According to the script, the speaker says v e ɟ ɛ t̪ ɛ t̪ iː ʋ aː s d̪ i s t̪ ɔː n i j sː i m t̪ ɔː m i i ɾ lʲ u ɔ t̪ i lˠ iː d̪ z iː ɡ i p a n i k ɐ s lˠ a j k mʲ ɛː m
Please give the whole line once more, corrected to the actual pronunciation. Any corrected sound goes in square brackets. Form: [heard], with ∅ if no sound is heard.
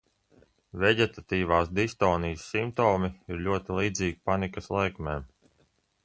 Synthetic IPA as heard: v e ɟ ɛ t̪ [a] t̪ iː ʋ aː s d̪ i s t̪ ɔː n i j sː i m t̪ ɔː m i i ɾ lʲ u ɔ t̪ i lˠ iː d̪ z iː ɡ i p a n i k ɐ s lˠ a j k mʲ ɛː m

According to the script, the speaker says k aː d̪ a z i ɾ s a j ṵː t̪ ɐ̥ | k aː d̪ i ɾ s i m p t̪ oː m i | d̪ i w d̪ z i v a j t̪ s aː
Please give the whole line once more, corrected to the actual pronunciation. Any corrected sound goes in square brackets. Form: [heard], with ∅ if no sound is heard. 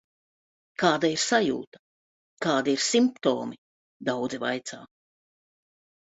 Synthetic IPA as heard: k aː d̪ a [∅] i ɾ s a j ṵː t̪ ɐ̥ | k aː d̪ i ɾ s i m p t̪ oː m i | d̪ [a] w d̪ z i v a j t̪ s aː

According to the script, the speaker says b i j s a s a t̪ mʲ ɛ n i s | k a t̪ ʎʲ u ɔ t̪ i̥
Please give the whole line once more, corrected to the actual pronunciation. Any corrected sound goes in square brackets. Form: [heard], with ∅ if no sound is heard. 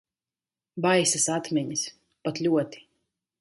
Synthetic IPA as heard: b [a] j s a s a t̪ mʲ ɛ [ɲ] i s | [p] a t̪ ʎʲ u ɔ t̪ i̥

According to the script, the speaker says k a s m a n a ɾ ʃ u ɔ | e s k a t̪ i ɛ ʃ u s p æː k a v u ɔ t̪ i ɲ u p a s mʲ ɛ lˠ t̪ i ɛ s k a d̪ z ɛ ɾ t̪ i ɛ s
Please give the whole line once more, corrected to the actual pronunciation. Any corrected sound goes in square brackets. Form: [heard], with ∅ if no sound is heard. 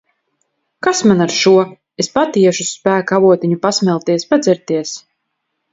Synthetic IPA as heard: k a s m a n a ɾ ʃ u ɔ | e s [p] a t̪ i ɛ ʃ u s p æː k a v u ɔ t̪ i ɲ u p a s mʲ ɛ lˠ t̪ i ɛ s [p] a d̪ z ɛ ɾ t̪ i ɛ s

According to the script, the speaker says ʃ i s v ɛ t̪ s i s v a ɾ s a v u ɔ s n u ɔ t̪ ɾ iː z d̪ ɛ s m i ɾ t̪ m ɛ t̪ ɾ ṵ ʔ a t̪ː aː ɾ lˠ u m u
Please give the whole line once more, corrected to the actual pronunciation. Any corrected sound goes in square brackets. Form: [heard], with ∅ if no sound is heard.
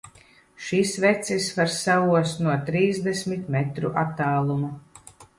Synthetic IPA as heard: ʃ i s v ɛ t̪ s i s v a ɾ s a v u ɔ s n u ɔ t̪ ɾ iː z d̪ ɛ s m i [∅] t̪ m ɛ t̪ ɾ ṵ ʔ a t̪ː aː [∅] lˠ u m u

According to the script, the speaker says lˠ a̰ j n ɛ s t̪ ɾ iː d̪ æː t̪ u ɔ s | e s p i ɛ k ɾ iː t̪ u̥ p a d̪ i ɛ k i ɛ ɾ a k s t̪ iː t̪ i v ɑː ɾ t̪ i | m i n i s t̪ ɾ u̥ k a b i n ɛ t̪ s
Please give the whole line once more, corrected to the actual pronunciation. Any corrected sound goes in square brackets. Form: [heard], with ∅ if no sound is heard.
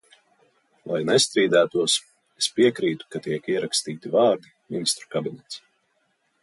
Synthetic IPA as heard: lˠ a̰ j n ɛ s t̪ ɾ iː d̪ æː t̪ u ɔ s | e s p i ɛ k ɾ iː t̪ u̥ [k] a [t̪] i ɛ k i ɛ ɾ a k s t̪ iː t̪ i v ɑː ɾ [d̪] i | m i n i s t̪ ɾ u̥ k a b i n ɛ t̪ s

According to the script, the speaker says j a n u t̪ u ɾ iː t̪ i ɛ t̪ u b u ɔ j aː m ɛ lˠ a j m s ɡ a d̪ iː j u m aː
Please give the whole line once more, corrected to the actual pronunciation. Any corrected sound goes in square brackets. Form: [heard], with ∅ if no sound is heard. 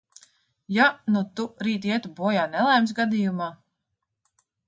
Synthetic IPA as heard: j a n u t̪ u ɾ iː t̪ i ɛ t̪ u b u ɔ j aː [n] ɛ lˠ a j m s ɡ a d̪ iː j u m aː

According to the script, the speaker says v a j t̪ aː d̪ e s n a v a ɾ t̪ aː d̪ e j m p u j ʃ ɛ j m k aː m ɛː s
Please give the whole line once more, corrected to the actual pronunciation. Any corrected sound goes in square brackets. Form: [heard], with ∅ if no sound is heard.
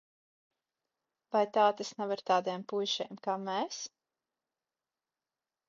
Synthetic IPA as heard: v a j t̪ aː [t̪] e s n a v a ɾ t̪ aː d̪ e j m p u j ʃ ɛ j m k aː m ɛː s

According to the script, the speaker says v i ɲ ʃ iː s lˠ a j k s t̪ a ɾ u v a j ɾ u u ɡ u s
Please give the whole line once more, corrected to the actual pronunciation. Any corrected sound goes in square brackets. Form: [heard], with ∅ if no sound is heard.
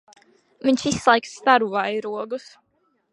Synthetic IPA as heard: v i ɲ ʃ [i] s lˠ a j k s t̪ a ɾ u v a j ɾ u [ɔ] ɡ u s

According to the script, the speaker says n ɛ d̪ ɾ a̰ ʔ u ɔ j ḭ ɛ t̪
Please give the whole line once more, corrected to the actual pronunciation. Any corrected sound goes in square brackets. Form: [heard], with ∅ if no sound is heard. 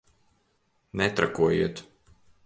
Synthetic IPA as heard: n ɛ [t̪] ɾ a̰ [k] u ɔ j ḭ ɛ t̪

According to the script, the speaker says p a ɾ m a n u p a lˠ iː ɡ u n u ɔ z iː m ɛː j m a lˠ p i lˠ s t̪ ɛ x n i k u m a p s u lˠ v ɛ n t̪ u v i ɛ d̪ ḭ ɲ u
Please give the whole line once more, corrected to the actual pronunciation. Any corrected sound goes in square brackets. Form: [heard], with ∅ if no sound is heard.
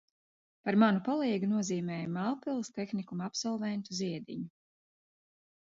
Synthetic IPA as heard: p a ɾ m a n u p a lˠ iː ɡ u n u ɔ z iː m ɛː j m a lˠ p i lˠ s t̪ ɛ x n i k u m a p s [ɔ] lˠ v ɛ n t̪ u [z] i ɛ d̪ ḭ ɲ u

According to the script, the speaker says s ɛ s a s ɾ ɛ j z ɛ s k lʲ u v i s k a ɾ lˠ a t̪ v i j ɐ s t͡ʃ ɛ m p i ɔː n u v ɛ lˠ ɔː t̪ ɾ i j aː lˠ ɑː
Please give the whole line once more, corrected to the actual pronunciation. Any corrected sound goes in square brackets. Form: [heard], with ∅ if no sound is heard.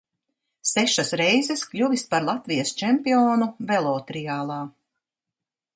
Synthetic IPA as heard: s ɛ [ʃ] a s ɾ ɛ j z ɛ s k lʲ u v i s [p] a ɾ lˠ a t̪ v i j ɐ s t͡ʃ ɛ m p i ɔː n u v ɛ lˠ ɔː t̪ ɾ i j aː lˠ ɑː

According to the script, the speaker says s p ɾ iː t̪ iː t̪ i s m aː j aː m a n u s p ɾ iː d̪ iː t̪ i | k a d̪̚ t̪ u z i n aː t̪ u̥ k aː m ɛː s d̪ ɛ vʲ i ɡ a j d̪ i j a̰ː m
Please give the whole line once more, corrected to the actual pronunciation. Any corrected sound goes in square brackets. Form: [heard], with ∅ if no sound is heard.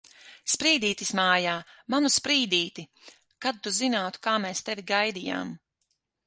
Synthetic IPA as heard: s p ɾ iː [d̪] iː t̪ i s m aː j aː m a n u s p ɾ iː d̪ iː t̪ i | k a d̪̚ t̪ u z i n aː t̪ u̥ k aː m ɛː s [t̪] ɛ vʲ i ɡ a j d̪ i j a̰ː m

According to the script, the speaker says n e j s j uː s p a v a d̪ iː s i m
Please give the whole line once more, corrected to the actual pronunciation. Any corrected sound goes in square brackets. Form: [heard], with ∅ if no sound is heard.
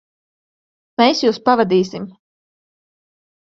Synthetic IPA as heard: [m] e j s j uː s p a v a d̪ iː s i m

